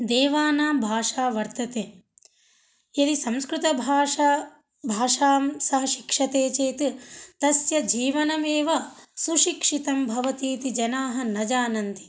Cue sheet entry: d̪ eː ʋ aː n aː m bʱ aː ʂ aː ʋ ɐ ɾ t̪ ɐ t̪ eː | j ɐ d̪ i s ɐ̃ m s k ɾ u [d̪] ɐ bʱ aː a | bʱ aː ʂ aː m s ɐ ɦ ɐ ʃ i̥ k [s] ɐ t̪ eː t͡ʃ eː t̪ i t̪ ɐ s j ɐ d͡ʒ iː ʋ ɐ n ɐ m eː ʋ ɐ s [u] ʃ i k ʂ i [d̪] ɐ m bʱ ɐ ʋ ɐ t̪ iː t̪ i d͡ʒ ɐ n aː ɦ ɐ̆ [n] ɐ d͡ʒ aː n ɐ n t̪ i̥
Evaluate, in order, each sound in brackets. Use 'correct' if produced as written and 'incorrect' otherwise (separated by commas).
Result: incorrect, incorrect, correct, incorrect, correct